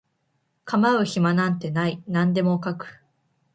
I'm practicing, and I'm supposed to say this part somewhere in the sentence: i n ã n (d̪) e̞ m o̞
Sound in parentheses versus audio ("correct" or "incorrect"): correct